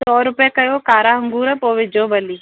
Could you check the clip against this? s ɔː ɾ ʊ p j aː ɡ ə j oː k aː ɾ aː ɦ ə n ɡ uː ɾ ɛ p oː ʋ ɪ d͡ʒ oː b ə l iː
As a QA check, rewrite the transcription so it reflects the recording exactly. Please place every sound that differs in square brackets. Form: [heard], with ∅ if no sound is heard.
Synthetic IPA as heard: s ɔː ɾ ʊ p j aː [k] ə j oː k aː ɾ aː ɦ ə [ŋ] ɡ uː ɾ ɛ p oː ʋ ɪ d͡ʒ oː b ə l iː